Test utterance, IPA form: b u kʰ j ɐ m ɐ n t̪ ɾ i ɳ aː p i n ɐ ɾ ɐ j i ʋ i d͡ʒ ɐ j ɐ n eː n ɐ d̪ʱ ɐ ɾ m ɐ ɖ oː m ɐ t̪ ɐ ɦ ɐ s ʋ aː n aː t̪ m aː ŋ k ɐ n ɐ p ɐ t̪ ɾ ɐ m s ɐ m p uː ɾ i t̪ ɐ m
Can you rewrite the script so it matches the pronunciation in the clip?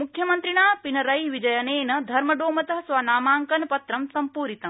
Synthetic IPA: m u kʰ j ɐ m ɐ n t̪ ɾ i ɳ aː p i n ɐ ɾ ɐ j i ʋ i d͡ʒ ɐ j ɐ n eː n ɐ d̪ʱ ɐ ɾ m ɐ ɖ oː m ɐ t̪ ɐ ɦ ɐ s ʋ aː n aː m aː ŋ k ɐ n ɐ p ɐ t̪ ɾ ɐ m s ɐ m p uː ɾ i t̪ ɐ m